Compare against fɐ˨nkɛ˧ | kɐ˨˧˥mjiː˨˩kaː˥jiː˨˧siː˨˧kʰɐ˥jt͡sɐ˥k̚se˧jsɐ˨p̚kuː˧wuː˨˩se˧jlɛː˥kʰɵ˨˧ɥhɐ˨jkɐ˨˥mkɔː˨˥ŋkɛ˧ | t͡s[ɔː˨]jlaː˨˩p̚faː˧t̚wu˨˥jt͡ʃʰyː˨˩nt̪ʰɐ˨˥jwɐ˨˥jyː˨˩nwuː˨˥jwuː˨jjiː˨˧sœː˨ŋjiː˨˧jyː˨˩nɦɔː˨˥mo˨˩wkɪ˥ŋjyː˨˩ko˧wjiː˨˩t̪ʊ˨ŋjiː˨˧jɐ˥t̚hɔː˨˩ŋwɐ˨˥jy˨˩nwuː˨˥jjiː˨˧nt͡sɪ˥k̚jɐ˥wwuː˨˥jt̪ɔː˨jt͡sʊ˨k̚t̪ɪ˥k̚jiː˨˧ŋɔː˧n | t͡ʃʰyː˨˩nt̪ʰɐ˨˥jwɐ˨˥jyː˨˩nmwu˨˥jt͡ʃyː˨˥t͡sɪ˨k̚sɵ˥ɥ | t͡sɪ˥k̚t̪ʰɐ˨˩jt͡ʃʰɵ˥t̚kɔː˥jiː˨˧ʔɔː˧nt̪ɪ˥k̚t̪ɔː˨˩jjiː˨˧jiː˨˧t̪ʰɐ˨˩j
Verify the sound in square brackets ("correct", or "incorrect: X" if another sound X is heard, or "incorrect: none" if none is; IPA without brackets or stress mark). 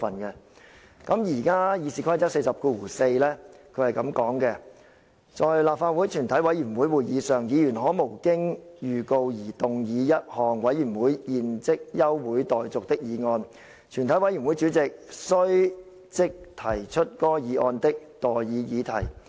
correct